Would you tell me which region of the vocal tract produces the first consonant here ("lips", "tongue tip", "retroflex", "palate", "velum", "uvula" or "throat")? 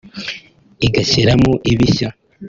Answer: velum